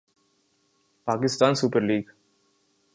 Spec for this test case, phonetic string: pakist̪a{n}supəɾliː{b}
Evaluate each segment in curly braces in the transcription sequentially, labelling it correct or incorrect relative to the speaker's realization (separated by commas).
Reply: correct, incorrect